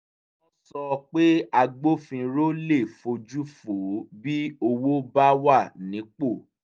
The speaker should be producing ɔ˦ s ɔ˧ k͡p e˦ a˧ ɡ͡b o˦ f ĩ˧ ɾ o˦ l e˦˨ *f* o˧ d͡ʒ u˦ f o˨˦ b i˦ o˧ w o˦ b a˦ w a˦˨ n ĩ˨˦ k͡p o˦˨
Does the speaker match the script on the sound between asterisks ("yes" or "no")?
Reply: yes